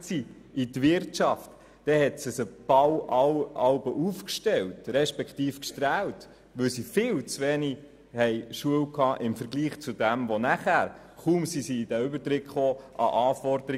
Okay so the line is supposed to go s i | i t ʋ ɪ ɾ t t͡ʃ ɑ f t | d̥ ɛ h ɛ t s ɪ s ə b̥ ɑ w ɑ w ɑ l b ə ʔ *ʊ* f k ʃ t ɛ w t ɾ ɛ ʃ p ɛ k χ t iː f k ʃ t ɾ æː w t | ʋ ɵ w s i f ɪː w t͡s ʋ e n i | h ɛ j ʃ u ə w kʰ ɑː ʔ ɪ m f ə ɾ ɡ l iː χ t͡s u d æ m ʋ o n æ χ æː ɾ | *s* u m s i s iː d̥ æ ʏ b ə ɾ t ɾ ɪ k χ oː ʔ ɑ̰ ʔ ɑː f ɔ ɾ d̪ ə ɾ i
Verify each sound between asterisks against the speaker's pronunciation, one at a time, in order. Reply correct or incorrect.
incorrect, incorrect

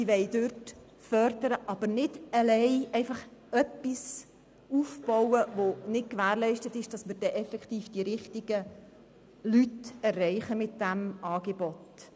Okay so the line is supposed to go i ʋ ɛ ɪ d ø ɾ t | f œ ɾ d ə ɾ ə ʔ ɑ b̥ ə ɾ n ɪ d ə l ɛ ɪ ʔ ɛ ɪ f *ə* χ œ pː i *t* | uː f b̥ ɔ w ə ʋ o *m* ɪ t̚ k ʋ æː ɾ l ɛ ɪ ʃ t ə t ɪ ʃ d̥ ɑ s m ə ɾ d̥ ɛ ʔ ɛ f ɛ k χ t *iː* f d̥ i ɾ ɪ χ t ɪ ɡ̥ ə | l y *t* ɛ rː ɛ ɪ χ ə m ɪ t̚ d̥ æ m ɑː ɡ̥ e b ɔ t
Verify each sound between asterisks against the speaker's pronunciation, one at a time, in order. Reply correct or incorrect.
incorrect, incorrect, incorrect, correct, correct

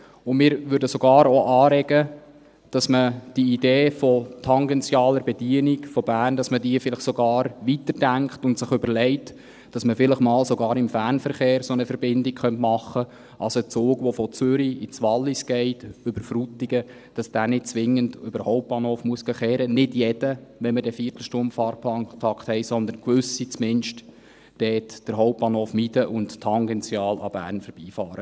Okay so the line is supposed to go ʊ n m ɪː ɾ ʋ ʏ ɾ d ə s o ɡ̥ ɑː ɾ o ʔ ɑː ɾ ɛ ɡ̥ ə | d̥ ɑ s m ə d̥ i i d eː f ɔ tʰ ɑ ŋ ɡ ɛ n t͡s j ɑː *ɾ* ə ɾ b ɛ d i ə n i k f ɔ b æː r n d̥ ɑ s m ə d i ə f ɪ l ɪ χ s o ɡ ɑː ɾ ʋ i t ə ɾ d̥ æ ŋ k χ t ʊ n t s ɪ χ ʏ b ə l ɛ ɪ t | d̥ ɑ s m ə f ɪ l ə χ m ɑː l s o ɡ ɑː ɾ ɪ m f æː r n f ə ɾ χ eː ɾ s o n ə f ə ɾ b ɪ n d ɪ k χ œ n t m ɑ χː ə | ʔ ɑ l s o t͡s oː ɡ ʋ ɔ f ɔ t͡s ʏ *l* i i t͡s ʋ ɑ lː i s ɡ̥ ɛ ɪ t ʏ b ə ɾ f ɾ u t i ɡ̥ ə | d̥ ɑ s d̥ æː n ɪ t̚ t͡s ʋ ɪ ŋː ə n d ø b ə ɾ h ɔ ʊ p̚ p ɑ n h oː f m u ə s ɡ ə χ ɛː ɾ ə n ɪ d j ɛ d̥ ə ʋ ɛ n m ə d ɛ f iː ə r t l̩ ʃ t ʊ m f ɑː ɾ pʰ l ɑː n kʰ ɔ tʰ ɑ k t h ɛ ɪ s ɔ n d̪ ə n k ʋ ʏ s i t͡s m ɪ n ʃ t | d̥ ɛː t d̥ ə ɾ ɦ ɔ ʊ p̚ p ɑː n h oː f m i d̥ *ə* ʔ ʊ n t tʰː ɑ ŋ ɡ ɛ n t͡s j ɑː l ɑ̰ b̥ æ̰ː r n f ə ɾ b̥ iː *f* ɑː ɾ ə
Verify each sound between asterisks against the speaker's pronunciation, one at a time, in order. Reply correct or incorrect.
incorrect, incorrect, correct, correct

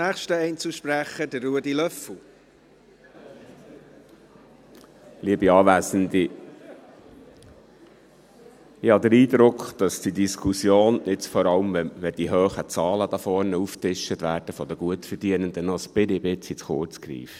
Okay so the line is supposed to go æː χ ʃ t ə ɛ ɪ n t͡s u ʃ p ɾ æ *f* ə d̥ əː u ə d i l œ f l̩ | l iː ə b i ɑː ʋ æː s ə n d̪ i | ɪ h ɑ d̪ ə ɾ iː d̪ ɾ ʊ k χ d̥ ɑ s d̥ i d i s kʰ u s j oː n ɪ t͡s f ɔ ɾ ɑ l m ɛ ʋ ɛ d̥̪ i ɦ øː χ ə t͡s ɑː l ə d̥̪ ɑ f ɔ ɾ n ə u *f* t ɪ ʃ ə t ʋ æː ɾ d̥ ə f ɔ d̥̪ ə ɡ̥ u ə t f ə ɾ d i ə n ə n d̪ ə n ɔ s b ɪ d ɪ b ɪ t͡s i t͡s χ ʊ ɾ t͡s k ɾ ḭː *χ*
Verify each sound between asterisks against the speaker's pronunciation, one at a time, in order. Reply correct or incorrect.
incorrect, correct, incorrect

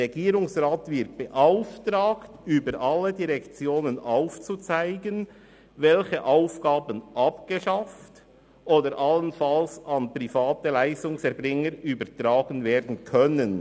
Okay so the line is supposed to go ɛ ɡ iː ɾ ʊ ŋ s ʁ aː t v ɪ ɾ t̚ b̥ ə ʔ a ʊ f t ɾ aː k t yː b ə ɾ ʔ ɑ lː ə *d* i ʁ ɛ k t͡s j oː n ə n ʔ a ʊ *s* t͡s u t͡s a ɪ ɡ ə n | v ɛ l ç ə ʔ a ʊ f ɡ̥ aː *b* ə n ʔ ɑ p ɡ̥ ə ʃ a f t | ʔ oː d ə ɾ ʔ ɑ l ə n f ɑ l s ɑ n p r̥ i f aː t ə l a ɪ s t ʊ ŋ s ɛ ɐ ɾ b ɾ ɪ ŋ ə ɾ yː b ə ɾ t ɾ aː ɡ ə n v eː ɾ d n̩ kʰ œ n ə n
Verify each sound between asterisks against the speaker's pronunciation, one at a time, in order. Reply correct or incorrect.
correct, incorrect, correct

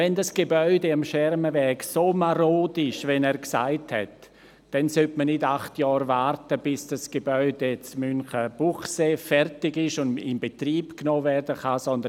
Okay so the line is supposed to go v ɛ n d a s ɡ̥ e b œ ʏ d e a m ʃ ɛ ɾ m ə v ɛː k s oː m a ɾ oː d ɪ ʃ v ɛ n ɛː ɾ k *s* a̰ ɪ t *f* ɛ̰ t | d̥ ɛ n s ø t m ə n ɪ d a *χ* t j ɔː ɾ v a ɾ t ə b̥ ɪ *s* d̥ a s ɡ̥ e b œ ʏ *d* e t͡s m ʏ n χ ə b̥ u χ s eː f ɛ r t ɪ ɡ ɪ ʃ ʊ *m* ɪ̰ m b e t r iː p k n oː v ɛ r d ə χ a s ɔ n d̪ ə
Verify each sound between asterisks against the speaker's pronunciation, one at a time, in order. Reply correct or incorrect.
correct, incorrect, correct, correct, correct, incorrect

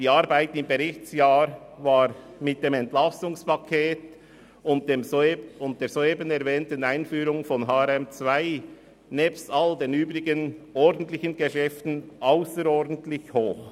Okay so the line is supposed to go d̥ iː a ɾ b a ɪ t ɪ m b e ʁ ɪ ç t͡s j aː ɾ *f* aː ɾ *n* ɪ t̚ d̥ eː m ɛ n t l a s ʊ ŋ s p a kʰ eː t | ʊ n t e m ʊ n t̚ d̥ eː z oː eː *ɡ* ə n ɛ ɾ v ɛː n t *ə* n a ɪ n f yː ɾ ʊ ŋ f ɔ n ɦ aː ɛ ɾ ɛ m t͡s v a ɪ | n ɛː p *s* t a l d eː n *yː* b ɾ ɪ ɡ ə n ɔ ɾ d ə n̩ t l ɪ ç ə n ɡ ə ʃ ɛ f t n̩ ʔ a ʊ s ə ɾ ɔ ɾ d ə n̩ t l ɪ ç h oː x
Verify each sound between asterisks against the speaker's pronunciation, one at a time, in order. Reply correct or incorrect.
incorrect, incorrect, incorrect, correct, correct, correct

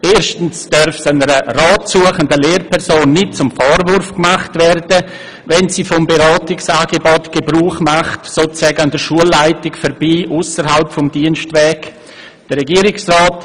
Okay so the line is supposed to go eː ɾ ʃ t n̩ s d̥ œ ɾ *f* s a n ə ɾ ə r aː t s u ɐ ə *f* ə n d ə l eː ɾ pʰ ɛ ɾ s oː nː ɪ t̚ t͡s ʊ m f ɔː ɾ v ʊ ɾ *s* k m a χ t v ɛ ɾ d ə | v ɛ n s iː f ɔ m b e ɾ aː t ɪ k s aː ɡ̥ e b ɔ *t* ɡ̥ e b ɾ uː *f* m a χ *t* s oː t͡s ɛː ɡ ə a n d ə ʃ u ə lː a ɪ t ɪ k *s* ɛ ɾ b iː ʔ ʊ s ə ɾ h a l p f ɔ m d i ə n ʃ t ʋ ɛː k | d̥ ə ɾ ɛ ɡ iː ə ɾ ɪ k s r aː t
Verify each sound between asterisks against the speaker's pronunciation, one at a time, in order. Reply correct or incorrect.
correct, incorrect, incorrect, correct, incorrect, correct, incorrect

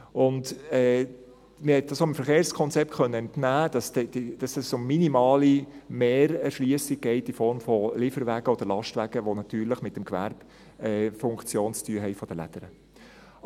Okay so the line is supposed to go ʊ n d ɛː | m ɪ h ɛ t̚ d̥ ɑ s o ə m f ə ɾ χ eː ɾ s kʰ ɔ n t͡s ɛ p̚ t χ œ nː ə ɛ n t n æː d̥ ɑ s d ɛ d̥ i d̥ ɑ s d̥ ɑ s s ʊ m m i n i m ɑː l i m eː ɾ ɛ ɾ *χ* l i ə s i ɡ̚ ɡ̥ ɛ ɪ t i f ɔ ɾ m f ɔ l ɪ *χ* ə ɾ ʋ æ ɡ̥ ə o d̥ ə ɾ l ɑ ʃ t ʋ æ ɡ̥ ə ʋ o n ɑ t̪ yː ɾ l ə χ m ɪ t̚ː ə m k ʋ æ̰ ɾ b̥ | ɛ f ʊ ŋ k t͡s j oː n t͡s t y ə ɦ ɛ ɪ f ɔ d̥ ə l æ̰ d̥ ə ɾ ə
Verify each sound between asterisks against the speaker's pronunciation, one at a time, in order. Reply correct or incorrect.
incorrect, incorrect

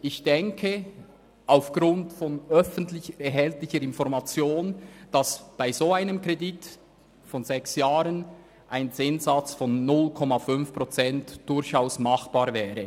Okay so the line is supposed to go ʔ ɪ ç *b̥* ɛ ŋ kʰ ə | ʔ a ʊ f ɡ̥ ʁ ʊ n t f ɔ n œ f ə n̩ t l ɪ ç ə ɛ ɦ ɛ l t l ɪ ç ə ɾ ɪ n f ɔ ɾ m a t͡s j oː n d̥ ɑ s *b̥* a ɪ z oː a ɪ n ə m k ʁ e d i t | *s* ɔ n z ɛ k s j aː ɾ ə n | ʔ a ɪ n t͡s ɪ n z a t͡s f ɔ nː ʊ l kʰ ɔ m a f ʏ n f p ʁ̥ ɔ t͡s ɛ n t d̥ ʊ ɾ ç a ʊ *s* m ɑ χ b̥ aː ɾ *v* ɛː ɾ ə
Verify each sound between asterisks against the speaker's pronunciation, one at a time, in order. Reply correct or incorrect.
incorrect, correct, incorrect, correct, correct

